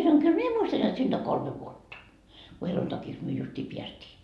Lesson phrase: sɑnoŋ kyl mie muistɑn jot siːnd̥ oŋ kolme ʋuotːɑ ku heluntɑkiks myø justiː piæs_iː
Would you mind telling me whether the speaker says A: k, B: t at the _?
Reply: B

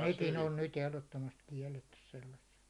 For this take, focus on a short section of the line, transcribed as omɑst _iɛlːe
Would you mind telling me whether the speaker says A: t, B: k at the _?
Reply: B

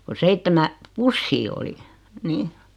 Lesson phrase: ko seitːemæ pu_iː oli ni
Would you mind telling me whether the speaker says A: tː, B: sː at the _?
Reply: B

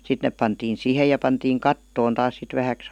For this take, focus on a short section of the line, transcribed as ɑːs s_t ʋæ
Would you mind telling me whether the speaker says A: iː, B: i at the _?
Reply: B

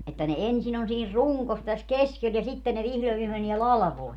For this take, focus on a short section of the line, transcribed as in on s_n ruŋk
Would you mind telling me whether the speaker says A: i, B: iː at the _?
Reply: B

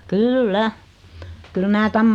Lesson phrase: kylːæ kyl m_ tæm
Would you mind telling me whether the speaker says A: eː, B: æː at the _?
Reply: B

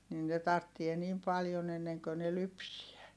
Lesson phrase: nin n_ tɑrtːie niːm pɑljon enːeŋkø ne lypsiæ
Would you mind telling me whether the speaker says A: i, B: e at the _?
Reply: B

